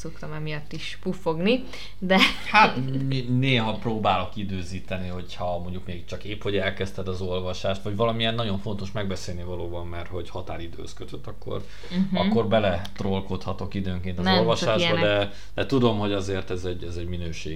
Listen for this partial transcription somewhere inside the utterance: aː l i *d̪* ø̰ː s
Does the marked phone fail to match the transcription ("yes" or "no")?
no